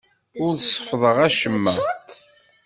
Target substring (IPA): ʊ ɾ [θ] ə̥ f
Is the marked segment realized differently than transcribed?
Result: yes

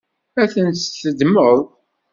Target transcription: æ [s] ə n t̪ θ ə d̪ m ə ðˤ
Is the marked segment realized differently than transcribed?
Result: yes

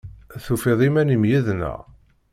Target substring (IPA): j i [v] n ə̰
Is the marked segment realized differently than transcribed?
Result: yes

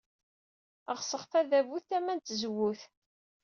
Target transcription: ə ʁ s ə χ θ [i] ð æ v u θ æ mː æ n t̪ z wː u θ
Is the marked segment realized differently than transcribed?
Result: yes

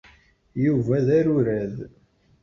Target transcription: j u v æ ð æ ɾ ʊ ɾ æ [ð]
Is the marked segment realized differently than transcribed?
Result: no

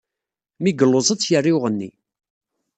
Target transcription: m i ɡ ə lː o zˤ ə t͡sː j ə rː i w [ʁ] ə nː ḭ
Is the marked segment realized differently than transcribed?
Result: no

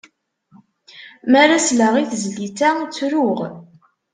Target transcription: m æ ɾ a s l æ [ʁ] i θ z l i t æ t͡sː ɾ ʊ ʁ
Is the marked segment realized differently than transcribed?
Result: no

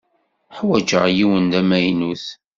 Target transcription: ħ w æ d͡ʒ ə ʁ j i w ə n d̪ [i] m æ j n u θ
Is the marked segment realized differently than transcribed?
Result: yes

